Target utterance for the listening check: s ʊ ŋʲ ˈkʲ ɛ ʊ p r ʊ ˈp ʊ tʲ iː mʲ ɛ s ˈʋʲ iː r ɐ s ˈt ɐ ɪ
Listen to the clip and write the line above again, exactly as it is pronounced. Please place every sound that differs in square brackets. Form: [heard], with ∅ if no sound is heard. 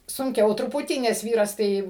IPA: s ʊ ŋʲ ˈkʲ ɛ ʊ [t] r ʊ ˈp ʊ tʲ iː [nʲ] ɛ s ˈʋʲ iː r ɐ s ˈt ɐ ɪ